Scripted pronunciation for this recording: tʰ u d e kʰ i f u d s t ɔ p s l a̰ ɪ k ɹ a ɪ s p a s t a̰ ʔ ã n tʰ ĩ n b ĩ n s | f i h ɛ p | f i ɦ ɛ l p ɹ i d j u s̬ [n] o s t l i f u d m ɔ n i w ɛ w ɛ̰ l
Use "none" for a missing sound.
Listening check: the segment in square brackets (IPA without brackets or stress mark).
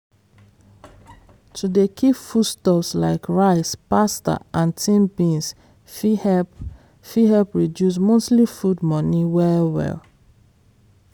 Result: m